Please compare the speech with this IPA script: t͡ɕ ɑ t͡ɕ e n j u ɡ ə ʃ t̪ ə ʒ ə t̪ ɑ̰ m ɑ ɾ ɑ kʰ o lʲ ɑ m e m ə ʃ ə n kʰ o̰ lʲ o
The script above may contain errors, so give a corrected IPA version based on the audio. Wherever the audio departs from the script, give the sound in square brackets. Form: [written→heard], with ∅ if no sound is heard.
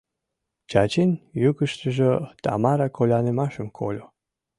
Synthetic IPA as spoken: t͡ɕ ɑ t͡ɕ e n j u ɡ ə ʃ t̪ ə ʒ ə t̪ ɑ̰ m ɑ ɾ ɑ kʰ o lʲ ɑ [m→n] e m [ə→ɑ] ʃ ə [n→m] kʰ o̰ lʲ o